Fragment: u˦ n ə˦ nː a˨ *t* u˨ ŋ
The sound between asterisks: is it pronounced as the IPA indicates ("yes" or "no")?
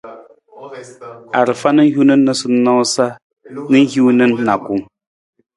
no